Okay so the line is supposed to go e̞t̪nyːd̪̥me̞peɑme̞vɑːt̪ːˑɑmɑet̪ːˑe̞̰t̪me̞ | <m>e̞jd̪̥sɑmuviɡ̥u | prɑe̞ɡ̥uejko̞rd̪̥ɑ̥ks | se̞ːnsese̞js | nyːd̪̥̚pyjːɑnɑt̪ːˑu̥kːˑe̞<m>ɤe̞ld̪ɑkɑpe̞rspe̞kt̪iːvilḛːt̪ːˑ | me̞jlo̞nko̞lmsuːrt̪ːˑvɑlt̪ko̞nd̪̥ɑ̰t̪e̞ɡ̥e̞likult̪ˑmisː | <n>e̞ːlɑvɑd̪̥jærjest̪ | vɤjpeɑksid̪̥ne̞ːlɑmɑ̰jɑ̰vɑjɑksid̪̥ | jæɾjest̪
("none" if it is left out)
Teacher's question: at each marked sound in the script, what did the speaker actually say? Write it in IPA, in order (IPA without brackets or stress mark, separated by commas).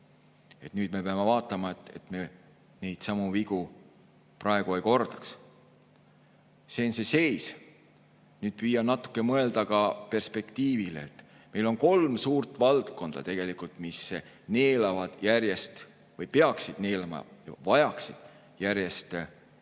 n, m, n